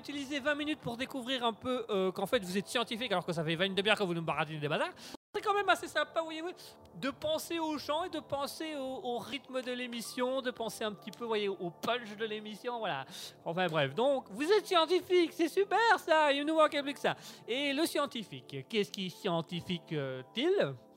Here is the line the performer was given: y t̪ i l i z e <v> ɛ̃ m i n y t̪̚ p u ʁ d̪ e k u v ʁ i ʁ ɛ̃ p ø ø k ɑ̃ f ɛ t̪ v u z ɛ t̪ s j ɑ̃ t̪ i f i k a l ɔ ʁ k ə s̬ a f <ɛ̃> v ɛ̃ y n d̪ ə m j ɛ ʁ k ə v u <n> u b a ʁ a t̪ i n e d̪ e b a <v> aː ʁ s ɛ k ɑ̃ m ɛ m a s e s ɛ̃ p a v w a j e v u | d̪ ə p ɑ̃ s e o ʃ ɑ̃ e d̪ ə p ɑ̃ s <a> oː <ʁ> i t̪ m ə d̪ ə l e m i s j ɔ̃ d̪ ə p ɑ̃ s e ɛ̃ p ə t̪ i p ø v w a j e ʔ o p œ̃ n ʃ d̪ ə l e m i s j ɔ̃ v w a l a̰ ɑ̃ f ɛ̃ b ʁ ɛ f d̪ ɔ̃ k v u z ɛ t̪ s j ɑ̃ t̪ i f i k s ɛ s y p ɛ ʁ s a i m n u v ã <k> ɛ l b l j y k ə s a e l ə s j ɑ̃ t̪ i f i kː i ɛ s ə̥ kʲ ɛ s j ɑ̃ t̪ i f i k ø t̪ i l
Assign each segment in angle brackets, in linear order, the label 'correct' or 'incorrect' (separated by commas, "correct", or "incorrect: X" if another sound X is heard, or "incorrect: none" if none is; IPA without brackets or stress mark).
correct, incorrect: ɛ, correct, incorrect: z, incorrect: e, correct, correct